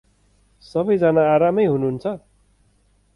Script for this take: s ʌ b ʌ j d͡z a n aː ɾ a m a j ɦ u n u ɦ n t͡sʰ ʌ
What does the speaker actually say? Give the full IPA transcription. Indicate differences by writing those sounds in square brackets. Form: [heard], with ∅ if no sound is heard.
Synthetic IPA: s ʌ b ʌ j d͡z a n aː ɾ a m [ʌ] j ɦ u n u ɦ n t͡sʰ ʌ